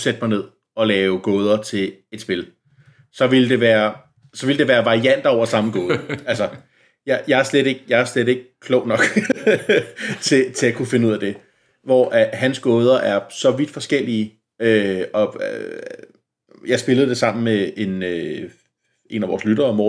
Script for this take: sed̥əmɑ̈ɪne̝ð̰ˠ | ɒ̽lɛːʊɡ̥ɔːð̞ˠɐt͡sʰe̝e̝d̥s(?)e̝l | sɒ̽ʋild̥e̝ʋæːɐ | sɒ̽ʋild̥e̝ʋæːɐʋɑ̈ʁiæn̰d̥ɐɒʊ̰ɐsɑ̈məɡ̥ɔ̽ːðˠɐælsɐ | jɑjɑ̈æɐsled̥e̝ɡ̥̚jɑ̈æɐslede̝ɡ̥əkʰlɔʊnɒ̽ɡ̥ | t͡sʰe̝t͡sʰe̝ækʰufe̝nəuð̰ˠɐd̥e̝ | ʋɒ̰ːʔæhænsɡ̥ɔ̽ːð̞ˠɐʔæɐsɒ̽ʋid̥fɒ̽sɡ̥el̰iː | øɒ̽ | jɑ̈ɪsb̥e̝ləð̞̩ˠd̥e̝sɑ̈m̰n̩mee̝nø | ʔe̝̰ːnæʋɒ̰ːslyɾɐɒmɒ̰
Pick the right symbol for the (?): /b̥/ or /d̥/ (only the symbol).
b̥